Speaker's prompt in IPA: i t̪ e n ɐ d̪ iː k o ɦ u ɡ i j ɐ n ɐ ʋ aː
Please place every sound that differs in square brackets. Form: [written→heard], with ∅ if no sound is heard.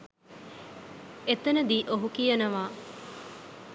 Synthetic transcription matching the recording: [i→e] t̪ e n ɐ d̪ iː [k→ʔ] o ɦ u [ɡ→k] i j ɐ n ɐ ʋ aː